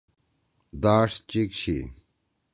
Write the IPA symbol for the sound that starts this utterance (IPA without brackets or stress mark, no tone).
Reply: d̪